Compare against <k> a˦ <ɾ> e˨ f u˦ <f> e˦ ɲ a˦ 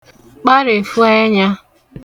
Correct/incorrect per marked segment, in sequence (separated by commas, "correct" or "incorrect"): incorrect, correct, incorrect